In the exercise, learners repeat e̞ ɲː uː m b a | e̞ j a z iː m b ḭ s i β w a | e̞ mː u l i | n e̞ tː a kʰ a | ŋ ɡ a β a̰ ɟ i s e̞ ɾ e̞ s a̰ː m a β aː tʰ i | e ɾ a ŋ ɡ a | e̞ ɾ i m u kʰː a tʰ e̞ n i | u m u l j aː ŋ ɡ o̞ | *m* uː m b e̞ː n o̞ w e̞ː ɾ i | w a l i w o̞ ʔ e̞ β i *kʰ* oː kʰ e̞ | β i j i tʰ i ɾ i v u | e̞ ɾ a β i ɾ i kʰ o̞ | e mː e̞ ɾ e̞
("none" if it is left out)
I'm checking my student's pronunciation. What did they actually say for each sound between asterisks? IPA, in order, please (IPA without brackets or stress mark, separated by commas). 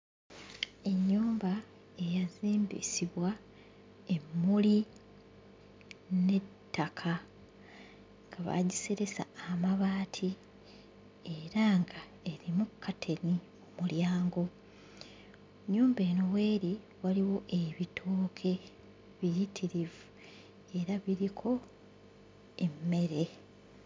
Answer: ɲ, tʰ